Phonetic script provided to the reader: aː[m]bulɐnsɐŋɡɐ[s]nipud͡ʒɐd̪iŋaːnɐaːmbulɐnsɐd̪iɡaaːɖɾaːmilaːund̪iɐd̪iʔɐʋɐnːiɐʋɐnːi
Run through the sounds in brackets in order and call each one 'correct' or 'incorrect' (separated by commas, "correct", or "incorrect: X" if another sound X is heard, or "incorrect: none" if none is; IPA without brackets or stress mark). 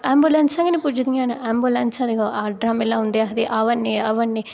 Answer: correct, incorrect: none